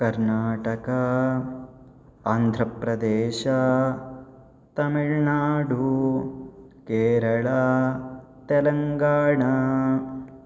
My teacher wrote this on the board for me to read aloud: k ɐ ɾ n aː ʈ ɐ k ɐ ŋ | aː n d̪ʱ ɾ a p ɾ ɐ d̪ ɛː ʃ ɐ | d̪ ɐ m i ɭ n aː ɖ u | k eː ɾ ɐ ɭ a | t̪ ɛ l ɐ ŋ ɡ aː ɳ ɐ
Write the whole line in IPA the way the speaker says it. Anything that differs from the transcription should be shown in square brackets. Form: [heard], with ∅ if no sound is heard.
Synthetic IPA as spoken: k ɐ ɾ n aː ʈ ɐ k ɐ [∅] | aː n d̪ʱ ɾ [ɐ] p ɾ ɐ d̪ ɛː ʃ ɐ | [t̪] ɐ m i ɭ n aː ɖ u | k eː ɾ ɐ ɭ a | t̪ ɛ l ɐ ŋ ɡ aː ɳ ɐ

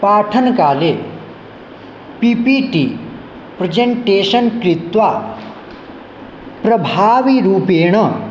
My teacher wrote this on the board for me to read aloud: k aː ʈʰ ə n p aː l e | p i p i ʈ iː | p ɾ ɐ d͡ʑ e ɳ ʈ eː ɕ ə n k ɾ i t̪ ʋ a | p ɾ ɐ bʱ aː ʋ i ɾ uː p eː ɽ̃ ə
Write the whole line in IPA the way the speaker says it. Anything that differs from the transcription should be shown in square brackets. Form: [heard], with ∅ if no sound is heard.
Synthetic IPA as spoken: [p] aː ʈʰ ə n [k] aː l e | p i p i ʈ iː | p ɾ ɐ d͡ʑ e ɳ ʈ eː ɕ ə n k ɾ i t̪ ʋ a | p ɾ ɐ bʱ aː ʋ i ɾ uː p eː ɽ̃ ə

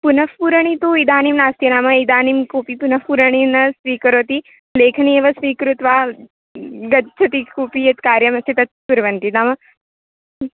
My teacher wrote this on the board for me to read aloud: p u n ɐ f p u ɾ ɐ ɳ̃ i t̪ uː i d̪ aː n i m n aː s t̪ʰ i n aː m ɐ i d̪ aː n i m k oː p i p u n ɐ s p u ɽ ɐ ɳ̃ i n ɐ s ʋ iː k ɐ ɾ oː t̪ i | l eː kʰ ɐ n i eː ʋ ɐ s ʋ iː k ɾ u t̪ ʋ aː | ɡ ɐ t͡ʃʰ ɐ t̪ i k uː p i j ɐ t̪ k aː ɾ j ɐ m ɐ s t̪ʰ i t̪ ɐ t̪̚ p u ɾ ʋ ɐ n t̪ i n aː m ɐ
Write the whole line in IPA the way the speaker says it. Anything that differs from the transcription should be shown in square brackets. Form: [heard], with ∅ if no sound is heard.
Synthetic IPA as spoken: p u n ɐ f p u ɾ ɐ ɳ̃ i t̪ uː i d̪ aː n i m n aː s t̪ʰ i n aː m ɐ i d̪ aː n i m k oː p i p u n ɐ [f] p u [ɾ] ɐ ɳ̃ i n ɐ s ʋ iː k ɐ ɾ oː t̪ i | l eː kʰ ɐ n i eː ʋ ɐ s ʋ iː k ɾ u t̪ ʋ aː | ɡ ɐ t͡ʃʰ ɐ t̪ i k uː p i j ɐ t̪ k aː ɾ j ɐ m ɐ s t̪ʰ i t̪ ɐ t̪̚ p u ɾ ʋ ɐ n t̪ i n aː m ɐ

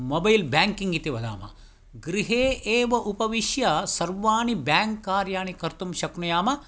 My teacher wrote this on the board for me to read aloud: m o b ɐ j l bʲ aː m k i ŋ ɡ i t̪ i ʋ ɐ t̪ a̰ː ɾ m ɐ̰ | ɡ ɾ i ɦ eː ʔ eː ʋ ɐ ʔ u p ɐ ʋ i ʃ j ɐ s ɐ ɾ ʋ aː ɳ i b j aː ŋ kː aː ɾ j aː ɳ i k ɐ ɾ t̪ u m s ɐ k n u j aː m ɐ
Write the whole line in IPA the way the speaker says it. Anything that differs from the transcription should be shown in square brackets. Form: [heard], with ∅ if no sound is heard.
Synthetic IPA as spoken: m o b ɐ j l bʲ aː [ŋ] k i ŋ ɡ i t̪ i ʋ ɐ [d̪] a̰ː [∅] m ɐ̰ | ɡ ɾ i ɦ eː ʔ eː ʋ ɐ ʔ u p ɐ ʋ i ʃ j ɐ s ɐ ɾ ʋ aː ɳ i b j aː ŋ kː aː ɾ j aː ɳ i k ɐ ɾ t̪ u m [ʃ] ɐ k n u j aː m ɐ

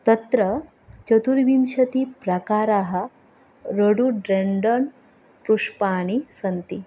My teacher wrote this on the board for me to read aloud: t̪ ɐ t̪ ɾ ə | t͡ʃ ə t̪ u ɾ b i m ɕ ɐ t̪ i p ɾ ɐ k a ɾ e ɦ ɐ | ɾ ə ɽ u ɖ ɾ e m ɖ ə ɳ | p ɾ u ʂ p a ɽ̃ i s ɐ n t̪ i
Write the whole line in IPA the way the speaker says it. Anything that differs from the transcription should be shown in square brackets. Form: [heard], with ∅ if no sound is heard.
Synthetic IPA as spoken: t̪ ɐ t̪ ɾ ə | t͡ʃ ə t̪ u ɾ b i m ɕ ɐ t̪ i p ɾ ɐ k a ɾ [a] ɦ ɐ | ɾ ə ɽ u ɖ ɾ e [ɳ] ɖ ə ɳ | p ɾ u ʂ p a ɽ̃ i s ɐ n t̪ i

